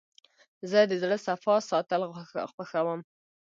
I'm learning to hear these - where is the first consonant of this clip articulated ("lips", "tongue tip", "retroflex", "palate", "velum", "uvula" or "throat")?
tongue tip